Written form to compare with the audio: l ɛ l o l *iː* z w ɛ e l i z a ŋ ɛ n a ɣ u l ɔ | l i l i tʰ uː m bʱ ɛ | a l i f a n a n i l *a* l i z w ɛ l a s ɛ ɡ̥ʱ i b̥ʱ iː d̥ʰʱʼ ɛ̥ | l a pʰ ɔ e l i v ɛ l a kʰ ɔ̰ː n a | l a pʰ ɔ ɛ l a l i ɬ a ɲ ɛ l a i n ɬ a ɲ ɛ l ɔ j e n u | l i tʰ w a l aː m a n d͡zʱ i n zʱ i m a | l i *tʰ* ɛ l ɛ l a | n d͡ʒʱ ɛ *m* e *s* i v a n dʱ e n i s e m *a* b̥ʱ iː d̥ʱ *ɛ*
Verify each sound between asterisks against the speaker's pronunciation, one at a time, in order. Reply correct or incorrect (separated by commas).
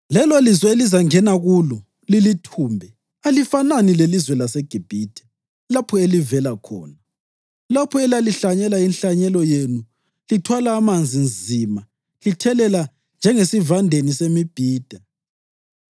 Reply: incorrect, incorrect, correct, incorrect, correct, incorrect, incorrect